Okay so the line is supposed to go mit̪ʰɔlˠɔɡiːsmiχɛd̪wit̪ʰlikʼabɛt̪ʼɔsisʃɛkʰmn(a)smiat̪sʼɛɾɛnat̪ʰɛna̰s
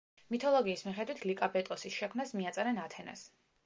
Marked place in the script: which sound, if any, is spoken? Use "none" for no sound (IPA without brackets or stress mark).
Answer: a